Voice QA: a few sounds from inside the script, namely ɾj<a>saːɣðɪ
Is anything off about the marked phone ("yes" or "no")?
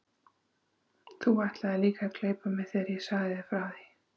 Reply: yes